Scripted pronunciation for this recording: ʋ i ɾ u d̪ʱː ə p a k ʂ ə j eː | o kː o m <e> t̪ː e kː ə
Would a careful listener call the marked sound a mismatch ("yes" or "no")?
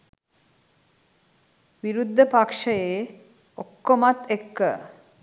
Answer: yes